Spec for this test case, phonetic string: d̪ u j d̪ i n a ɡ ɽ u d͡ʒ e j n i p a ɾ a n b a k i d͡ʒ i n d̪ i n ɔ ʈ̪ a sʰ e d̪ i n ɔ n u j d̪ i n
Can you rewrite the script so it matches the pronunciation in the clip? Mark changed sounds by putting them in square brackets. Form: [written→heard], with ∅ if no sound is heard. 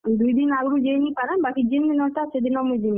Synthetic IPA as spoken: d̪ u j d̪ i n a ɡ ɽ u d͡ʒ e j n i p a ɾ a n b a k i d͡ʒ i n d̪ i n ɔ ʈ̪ a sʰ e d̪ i n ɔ [n→m] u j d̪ i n